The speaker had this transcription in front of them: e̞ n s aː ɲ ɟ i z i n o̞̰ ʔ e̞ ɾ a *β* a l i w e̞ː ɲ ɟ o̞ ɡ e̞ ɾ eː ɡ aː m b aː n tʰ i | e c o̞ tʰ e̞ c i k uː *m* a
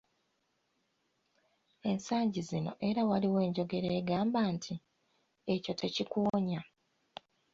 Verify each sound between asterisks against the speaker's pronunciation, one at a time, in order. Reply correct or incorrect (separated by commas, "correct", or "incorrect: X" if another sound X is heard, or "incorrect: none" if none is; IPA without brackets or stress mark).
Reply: incorrect: w, incorrect: ɲ